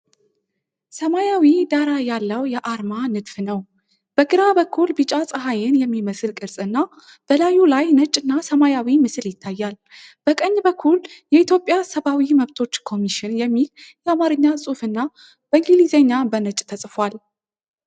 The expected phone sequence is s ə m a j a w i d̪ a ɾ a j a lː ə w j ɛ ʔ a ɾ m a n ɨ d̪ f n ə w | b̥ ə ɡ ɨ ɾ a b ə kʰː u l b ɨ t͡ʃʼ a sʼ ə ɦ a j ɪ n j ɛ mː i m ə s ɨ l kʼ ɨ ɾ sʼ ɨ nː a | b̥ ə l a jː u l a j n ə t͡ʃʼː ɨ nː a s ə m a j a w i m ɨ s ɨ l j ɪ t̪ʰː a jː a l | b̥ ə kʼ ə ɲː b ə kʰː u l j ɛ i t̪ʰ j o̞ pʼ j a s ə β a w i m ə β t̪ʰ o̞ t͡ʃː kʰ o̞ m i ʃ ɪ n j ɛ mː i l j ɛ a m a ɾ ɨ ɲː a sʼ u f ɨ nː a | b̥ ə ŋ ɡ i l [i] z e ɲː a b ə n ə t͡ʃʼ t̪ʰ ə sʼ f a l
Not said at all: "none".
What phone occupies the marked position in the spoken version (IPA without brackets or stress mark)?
i